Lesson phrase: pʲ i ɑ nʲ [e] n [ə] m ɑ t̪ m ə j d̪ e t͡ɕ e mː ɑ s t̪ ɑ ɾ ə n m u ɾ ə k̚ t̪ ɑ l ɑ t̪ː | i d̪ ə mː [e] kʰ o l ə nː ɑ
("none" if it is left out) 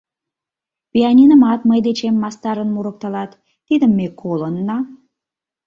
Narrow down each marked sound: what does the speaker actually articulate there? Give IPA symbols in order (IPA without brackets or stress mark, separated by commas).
i, ə, e